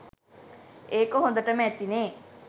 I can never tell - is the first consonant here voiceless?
yes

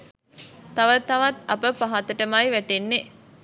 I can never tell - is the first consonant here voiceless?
yes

